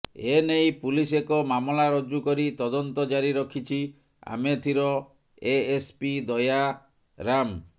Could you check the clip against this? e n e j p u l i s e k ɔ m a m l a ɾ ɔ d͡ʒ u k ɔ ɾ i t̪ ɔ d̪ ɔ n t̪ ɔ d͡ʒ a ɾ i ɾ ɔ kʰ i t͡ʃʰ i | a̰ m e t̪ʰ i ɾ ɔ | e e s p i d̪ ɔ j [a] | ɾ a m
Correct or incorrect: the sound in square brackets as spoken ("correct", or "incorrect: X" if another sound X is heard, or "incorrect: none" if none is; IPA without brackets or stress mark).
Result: correct